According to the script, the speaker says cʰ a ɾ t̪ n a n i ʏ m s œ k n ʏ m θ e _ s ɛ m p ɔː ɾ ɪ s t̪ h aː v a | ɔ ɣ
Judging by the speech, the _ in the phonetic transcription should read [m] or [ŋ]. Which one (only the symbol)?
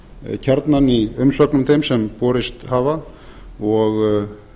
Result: m